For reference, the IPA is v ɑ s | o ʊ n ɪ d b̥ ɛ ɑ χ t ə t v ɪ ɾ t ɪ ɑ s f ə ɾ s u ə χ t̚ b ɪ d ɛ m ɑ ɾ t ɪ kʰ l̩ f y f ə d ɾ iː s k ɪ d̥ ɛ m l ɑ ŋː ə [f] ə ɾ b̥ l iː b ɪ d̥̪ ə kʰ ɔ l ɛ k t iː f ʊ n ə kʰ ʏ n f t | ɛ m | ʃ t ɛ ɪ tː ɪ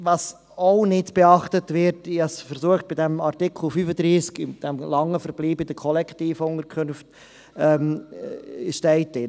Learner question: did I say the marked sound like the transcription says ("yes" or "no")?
yes